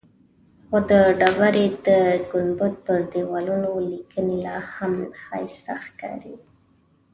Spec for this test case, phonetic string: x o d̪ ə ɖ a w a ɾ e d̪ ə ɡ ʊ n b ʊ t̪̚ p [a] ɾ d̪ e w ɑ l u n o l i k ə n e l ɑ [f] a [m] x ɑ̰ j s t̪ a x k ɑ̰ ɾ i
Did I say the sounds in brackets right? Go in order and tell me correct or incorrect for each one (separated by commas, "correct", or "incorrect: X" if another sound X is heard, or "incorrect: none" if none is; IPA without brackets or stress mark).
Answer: incorrect: ə, incorrect: h, correct